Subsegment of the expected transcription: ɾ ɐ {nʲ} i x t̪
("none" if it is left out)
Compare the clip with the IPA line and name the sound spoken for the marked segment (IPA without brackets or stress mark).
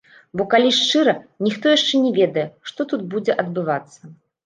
nʲ